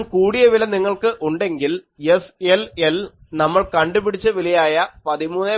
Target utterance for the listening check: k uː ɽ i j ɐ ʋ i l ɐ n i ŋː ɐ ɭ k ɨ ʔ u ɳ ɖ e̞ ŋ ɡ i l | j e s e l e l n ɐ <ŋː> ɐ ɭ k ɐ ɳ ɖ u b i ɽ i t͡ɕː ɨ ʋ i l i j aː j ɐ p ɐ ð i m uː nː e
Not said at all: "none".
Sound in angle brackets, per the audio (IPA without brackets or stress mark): mː